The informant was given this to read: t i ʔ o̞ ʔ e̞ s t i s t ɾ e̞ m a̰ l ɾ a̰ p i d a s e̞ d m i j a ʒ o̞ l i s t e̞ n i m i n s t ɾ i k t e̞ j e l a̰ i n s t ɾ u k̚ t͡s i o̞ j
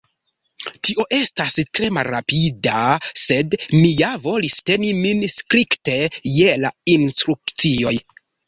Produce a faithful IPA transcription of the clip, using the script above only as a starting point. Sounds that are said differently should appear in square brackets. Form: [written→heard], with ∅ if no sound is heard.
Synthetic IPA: t i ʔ o̞ ʔ e̞ s t [i→a] s t ɾ e̞ m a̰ l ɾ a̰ p i d a s e̞ d m i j a [ʒ→v] o̞ l i s t e̞ n i m i n s [t→k] ɾ i k t e̞ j e l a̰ i n s t ɾ u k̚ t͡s i o̞ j